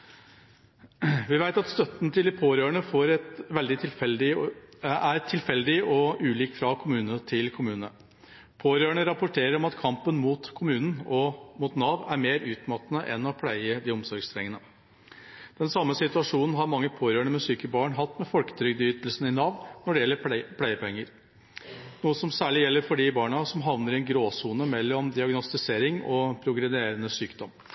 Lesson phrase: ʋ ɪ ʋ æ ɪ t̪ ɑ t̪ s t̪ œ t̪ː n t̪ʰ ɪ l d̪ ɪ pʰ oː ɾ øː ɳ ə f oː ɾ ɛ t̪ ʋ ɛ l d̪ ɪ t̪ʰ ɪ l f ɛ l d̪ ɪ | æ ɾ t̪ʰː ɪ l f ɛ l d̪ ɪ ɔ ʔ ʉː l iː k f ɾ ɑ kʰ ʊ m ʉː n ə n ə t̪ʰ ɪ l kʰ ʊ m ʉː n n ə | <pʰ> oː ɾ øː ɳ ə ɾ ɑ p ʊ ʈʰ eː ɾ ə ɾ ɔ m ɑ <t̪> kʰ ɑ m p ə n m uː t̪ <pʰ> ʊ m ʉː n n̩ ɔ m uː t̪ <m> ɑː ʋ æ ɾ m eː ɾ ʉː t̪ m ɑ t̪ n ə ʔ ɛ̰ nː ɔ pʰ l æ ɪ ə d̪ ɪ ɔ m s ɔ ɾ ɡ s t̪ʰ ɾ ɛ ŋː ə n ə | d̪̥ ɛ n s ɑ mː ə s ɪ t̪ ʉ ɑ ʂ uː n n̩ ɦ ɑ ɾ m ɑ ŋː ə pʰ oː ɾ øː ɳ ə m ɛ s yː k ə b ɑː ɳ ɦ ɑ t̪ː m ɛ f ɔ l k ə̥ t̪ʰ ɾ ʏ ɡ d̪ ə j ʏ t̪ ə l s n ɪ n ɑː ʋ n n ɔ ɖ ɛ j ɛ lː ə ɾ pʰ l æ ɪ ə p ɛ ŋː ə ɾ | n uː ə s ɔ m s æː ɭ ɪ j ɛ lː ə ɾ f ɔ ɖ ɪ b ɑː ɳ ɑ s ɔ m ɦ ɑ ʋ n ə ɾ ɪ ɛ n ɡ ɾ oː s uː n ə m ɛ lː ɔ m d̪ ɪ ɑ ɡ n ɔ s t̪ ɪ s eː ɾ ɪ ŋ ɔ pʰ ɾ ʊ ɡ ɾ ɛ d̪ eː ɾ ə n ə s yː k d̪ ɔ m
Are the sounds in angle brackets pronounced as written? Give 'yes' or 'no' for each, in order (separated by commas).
yes, yes, no, no